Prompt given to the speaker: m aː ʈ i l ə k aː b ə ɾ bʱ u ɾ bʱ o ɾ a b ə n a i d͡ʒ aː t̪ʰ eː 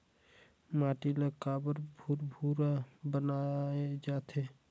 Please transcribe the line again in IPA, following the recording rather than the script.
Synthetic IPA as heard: m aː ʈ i l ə k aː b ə ɾ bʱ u ɾ bʱ u ɾ a b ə n a e d͡ʒ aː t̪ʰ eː